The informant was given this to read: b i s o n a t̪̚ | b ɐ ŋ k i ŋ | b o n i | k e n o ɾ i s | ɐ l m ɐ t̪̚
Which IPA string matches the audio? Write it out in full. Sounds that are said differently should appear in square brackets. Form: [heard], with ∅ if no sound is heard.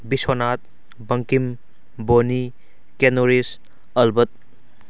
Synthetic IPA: b i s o n a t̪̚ | b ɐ ŋ k i [m] | b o n i | k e n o ɾ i s | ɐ l [b] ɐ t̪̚